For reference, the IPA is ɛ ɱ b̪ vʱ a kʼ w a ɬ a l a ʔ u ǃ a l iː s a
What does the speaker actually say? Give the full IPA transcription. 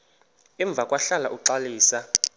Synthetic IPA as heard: ɛ ɱ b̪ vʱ a kʼ w a ɬ a l a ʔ u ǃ a l iː s a